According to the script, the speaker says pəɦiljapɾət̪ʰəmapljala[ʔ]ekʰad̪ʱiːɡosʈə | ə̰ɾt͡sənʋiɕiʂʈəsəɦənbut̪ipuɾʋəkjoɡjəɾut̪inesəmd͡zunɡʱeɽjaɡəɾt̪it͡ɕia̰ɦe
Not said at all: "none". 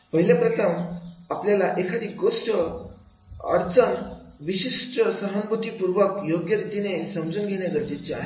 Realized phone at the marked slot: ʔ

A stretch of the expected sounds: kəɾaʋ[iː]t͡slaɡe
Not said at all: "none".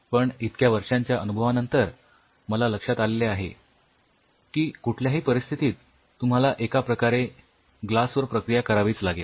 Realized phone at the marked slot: iː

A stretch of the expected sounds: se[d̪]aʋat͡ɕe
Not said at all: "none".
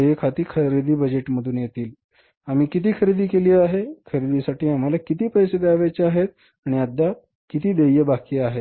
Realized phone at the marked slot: d̪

